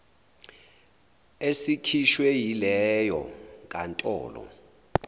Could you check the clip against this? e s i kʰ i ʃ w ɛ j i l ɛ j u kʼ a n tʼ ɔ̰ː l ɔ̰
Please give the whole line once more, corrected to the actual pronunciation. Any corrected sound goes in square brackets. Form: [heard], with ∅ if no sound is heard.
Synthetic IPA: e s i kʰ i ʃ w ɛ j i l ɛ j [ɔ] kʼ a n tʼ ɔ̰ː l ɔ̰